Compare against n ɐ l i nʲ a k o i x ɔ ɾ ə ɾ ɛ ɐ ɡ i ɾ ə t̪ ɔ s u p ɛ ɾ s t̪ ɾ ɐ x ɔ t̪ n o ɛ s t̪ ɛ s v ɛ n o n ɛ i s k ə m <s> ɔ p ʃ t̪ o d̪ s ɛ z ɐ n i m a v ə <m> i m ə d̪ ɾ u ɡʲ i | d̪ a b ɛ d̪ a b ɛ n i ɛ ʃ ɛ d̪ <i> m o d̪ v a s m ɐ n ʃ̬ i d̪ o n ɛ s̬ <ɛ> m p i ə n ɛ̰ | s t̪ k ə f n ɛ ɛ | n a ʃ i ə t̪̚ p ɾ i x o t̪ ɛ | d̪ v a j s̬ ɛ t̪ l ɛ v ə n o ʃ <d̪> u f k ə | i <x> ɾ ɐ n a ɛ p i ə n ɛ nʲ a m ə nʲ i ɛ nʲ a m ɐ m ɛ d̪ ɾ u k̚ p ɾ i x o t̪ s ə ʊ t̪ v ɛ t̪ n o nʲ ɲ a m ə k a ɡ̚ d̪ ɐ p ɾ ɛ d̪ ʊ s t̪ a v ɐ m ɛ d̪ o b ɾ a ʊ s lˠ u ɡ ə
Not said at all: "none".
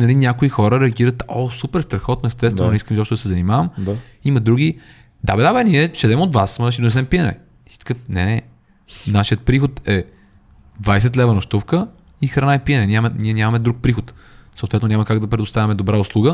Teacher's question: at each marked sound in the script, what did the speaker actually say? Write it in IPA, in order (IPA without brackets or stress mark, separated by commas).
z, m, ɛ, ɛ, t̪, x